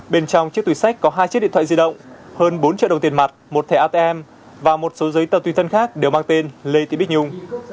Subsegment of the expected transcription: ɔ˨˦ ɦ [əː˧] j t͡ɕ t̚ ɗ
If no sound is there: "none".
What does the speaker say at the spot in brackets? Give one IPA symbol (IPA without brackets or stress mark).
aː˧